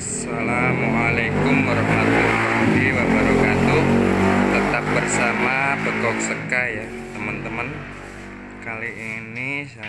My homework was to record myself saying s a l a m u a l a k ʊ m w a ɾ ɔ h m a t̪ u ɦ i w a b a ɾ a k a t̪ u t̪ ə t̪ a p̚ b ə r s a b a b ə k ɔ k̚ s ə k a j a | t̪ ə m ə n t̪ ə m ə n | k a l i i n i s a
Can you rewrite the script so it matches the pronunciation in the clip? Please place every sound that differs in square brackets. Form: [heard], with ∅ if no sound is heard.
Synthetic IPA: s a l a m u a l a k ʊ m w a ɾ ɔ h m a t̪ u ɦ i w a b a ɾ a k a t̪ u t̪ ə t̪ a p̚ b ə r s a [m] a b ə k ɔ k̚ s ə k a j a | t̪ ə m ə n t̪ ə m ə n | k a l i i n i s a